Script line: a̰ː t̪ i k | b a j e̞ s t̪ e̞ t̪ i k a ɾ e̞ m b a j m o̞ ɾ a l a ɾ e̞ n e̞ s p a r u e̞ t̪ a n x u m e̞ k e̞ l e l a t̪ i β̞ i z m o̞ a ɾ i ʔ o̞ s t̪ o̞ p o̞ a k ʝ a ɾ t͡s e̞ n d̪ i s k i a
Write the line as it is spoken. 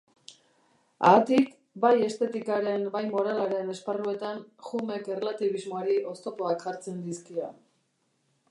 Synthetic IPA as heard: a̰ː t̪ i k | b a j e̞ s t̪ e̞ t̪ i k a ɾ e̞ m b a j m o̞ ɾ a l a ɾ e̞ n e̞ s p a r u e̞ t̪ a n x u m e̞ k e̞ r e l a t̪ i β̞ i z m o̞ a ɾ i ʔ o̞ s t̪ o̞ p o̞ a k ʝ a ɾ t͡s e̞ n d̪ i s k i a